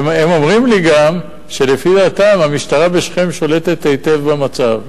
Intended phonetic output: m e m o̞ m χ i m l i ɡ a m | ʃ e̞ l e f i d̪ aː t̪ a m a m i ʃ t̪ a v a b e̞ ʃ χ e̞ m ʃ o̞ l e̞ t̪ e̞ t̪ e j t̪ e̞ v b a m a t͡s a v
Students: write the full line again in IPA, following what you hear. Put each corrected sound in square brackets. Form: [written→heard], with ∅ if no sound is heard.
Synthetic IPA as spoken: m e m o̞ m [χ→ʁ] i m l i ɡ a m | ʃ e̞ l e f i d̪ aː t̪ a m a m i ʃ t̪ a [v→ʁ] a b e̞ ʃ χ e̞ m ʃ o̞ l e̞ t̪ e̞ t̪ e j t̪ e̞ v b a m a t͡s a v